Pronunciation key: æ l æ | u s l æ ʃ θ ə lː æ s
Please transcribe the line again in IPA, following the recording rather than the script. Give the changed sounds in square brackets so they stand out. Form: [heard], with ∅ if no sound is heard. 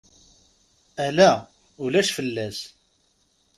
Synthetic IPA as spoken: æ l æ | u [∅] l æ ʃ [f] ə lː æ s